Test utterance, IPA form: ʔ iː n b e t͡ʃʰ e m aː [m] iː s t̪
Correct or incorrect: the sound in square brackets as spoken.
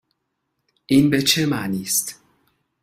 incorrect: n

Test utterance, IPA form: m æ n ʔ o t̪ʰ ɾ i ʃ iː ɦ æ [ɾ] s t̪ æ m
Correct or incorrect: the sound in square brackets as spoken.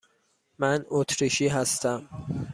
incorrect: none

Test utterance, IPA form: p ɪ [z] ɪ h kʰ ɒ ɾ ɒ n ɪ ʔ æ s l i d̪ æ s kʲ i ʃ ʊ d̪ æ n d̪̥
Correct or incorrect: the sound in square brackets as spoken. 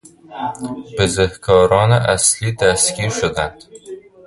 correct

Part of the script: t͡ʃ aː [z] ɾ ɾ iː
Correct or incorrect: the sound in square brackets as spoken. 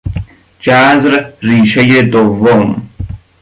correct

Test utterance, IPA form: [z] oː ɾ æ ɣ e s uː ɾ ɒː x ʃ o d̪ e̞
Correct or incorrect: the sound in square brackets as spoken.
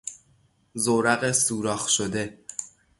correct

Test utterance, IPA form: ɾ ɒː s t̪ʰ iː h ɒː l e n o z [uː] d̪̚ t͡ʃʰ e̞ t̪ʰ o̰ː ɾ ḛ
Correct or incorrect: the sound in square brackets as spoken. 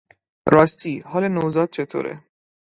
incorrect: ɒː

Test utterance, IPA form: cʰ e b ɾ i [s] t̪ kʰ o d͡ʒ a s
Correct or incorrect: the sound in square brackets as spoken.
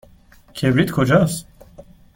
incorrect: none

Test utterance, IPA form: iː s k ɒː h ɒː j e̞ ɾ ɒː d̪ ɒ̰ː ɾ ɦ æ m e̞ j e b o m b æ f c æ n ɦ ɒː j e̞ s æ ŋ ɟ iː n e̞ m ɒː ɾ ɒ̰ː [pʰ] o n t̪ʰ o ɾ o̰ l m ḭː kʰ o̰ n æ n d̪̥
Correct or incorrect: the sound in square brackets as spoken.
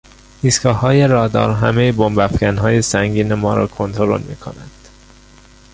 incorrect: kʰ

